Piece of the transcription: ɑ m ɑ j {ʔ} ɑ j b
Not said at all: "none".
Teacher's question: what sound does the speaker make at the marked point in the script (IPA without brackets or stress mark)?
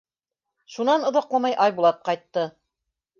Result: ʔ